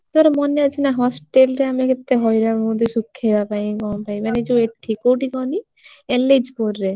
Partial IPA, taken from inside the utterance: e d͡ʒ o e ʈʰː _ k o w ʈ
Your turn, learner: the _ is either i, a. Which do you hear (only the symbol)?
i